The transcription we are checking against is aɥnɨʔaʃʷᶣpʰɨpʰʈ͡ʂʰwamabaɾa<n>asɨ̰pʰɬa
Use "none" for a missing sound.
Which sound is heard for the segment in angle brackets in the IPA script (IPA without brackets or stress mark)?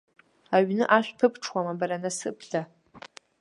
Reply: n